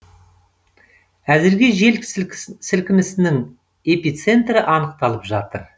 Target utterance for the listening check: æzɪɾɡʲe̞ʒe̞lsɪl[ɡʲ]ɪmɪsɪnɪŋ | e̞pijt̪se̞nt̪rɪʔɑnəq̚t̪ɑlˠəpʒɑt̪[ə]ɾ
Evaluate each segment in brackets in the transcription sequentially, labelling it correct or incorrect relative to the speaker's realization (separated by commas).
incorrect, correct